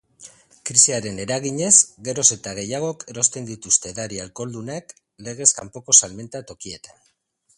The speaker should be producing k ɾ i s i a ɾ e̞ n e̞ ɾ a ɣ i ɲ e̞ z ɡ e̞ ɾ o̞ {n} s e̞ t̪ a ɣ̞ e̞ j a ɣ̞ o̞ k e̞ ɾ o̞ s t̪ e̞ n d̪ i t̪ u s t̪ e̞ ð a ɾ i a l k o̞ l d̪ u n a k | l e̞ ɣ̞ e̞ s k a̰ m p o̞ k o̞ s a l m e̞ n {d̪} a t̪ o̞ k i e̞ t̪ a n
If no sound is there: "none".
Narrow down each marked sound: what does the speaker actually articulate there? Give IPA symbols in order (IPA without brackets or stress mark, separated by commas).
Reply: none, t̪